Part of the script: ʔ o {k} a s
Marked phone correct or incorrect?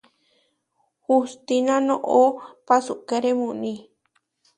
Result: incorrect: p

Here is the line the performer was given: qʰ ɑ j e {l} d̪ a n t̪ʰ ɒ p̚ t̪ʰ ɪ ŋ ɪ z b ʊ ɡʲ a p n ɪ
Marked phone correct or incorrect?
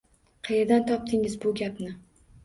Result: incorrect: ɾ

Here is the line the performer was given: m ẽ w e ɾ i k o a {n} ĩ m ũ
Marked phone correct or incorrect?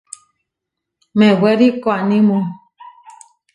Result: correct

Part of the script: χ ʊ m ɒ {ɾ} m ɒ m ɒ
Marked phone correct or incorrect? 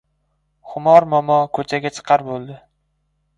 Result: correct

